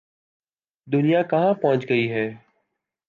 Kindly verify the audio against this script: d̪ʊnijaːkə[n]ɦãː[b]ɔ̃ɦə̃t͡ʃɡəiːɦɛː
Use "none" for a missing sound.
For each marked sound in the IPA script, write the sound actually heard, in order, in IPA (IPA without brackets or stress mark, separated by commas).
none, p